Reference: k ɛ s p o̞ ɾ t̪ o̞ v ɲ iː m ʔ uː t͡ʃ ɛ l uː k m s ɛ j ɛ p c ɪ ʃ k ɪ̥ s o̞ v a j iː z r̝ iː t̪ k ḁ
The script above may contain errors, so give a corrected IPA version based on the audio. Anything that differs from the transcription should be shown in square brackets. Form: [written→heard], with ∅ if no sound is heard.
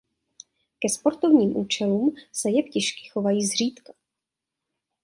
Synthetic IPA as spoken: k ɛ s p o̞ ɾ t̪ o̞ v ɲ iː m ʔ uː t͡ʃ ɛ l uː [k→∅] m s ɛ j ɛ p c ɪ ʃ k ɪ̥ [s→x] o̞ v a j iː z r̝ iː t̪ k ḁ